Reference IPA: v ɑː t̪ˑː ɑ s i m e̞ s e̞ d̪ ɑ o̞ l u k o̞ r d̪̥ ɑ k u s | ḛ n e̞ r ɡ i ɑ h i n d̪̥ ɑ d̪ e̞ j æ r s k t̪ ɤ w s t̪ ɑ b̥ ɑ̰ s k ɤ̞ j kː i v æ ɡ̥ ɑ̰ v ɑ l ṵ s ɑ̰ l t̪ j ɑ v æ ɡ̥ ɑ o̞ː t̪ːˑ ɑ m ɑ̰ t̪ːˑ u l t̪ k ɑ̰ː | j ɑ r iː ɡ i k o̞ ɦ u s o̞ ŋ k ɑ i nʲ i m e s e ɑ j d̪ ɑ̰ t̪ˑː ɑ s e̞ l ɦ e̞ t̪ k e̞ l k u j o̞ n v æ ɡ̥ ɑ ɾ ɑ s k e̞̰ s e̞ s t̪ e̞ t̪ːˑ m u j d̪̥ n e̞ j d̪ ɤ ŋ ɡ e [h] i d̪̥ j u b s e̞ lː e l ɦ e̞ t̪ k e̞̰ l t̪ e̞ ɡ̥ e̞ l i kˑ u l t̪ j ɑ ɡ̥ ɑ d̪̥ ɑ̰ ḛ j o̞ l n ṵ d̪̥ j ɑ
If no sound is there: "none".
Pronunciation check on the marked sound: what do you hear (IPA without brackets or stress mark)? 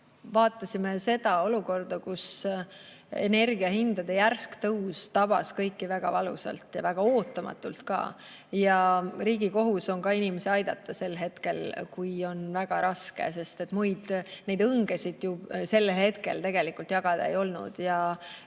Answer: s